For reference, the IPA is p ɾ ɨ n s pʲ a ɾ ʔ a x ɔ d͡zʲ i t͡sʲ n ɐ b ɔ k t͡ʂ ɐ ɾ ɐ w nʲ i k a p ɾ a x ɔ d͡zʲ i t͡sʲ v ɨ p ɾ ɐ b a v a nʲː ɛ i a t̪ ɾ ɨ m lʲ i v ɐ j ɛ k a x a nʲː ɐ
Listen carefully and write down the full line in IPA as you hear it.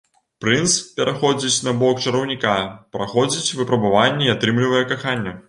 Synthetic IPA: p ɾ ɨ n s pʲ ɛ ɾ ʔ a x ɔ d͡zʲ i t͡sʲ n ɐ b ɔ k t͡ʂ ɐ ɾ ɐ w nʲ i k a p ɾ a x ɔ d͡zʲ i t͡sʲ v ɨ p ɾ ɐ b a v a nʲː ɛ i a t̪ ɾ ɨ m lʲ i v ɐ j ɛ k a x a nʲː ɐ